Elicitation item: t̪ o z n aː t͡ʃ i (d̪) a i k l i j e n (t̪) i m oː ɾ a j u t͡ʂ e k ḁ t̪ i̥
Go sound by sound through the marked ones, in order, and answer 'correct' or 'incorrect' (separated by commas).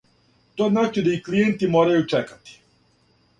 correct, correct